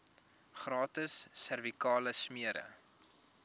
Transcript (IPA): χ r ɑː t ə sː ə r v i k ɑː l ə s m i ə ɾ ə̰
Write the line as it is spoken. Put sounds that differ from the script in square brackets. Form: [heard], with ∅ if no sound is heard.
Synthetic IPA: χ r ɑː t ə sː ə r v i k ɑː l ə s m i ə ɾ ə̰